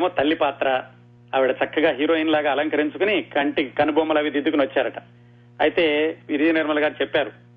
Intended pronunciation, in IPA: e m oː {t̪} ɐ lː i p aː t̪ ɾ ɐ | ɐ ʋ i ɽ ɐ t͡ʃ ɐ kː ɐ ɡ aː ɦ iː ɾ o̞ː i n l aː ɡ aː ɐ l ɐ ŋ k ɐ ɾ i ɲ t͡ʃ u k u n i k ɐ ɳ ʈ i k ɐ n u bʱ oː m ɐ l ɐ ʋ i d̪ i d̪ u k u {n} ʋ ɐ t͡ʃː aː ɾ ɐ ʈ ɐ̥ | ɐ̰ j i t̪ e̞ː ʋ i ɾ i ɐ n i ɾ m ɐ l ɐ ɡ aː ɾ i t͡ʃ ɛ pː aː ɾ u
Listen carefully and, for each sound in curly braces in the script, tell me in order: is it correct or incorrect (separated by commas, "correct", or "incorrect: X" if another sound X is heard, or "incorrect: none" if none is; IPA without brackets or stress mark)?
correct, correct